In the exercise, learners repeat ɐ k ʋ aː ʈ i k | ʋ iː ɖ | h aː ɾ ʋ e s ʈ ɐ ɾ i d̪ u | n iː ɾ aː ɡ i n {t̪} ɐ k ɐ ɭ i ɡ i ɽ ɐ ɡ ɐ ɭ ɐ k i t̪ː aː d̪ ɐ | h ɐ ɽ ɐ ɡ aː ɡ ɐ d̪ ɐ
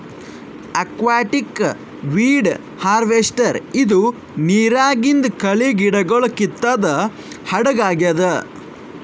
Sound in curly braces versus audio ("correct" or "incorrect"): incorrect